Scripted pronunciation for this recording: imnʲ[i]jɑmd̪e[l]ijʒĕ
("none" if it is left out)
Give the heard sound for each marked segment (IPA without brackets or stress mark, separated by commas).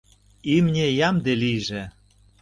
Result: e, l